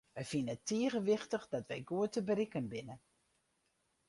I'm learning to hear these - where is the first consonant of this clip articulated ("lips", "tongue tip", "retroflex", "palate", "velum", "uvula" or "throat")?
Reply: lips